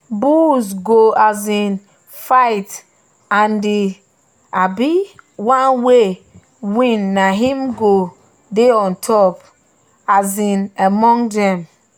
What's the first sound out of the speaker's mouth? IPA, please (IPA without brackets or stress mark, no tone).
b